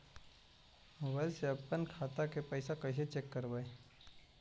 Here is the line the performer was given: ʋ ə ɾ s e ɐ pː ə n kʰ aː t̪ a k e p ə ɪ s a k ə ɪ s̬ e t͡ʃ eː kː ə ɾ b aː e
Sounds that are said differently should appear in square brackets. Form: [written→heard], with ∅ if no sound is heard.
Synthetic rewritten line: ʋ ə [ɾ→l] s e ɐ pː ə n kʰ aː t̪ a k e p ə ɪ s a k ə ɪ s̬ e t͡ʃ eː kː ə ɾ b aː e